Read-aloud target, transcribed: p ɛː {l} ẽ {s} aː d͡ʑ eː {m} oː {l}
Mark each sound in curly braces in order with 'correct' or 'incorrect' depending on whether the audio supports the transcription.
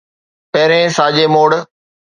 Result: incorrect, correct, correct, incorrect

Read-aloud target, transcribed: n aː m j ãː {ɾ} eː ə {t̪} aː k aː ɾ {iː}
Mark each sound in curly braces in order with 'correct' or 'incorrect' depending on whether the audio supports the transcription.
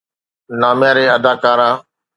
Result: correct, incorrect, incorrect

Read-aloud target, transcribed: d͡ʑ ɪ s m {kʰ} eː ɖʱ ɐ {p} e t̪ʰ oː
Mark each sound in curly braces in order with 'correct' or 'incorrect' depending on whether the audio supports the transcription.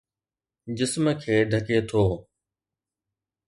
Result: correct, incorrect

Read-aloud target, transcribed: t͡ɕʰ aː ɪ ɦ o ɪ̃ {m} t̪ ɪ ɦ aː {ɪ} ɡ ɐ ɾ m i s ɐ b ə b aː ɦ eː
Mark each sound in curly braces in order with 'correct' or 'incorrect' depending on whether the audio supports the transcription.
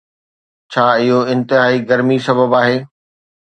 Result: incorrect, incorrect

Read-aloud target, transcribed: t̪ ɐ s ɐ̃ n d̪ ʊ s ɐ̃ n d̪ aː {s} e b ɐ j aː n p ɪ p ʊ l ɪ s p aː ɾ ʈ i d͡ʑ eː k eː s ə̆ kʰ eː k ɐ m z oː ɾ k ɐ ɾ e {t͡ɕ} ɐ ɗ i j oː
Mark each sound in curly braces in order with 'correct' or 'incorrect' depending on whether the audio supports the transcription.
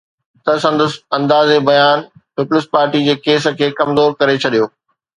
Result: incorrect, incorrect

